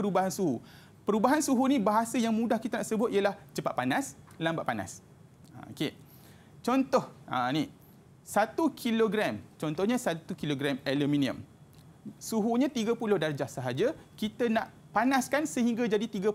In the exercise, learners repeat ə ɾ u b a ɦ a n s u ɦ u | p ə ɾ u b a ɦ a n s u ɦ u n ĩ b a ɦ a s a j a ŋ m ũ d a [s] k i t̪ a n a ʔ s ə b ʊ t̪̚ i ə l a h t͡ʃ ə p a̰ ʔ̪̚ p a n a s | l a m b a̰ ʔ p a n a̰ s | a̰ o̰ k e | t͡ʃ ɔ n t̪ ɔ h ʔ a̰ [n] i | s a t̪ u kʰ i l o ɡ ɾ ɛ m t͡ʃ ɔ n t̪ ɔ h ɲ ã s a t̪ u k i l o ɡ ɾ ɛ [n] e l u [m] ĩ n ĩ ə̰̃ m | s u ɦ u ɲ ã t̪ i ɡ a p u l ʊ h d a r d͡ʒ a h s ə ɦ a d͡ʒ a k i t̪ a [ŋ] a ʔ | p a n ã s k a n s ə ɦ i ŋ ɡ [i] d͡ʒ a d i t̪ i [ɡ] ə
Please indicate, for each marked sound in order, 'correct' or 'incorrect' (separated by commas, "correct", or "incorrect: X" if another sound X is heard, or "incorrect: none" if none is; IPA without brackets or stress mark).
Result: incorrect: h, correct, incorrect: m, correct, incorrect: n, incorrect: a, correct